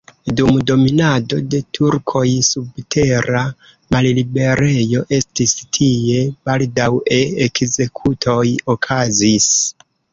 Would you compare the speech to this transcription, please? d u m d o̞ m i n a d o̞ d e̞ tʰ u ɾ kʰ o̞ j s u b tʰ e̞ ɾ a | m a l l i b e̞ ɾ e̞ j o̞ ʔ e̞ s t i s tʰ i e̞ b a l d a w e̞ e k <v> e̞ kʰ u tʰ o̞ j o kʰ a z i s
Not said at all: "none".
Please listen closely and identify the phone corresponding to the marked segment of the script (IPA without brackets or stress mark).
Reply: z